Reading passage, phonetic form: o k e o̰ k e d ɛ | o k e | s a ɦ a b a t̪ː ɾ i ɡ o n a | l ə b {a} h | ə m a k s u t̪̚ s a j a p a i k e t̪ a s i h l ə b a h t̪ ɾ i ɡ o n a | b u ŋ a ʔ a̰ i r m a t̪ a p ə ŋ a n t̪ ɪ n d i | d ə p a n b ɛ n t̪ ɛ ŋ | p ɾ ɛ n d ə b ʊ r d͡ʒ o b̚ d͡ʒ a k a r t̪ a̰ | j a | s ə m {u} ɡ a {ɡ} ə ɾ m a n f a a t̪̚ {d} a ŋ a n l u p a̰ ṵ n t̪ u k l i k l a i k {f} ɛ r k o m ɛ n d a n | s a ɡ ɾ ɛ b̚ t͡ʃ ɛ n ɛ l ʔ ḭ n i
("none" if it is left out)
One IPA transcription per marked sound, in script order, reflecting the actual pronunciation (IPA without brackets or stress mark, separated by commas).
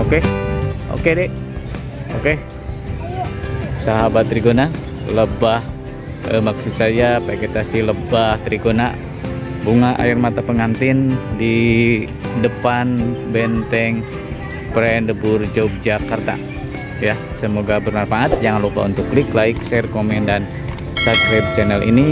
a, o, b, d͡ʒ, s